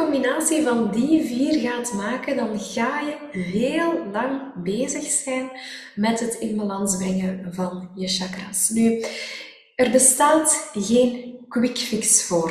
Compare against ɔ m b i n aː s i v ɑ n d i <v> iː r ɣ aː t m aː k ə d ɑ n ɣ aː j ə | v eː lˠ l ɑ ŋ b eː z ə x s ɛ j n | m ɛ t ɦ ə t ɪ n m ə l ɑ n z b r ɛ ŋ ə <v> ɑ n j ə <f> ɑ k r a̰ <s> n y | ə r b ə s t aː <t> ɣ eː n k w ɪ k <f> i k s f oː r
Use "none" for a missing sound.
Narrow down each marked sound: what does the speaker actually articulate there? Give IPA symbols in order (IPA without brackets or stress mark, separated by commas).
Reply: v, v, ʃ, s, t, f